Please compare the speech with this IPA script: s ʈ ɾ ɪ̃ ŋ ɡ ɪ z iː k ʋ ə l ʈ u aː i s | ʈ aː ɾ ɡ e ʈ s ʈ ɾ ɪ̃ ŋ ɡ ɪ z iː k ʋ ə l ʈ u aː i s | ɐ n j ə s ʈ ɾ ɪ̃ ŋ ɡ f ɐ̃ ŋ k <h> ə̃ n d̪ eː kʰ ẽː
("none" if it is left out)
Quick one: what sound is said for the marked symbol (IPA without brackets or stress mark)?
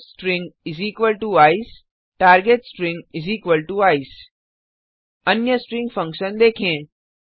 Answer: ʃ